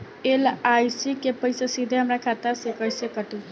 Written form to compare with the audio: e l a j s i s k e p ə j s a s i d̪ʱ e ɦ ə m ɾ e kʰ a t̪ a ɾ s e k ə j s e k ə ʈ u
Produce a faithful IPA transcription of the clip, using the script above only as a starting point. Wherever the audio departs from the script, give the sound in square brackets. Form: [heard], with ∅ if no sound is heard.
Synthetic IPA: e l a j s i [∅] k e p ə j s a s i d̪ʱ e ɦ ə m ɾ [a] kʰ a t̪ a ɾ s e k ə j s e k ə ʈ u